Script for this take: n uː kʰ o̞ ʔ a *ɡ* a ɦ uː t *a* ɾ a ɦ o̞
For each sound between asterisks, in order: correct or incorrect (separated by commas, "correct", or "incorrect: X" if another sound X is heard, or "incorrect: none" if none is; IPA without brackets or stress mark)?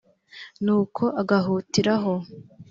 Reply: correct, incorrect: i